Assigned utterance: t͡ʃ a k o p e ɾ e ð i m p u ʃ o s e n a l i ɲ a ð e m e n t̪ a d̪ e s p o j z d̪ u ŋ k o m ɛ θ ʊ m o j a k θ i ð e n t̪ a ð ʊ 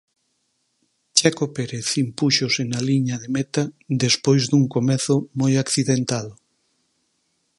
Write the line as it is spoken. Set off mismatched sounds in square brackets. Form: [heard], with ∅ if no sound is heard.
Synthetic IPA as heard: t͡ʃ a k o p e ɾ e [θ] i m p u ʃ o s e n a l i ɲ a ð e m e [∅] t̪ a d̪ e s p o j z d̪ u ŋ k o m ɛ θ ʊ m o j a k θ i ð e n t̪ a ð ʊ